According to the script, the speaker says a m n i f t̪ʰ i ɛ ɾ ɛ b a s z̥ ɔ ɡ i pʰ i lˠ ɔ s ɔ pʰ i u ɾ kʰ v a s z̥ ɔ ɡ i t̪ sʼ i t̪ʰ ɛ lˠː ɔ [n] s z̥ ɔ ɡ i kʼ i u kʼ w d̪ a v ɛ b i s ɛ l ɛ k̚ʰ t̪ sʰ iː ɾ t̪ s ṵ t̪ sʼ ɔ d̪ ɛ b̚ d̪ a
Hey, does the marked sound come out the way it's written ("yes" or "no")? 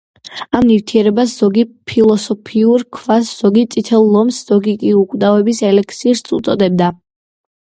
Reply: no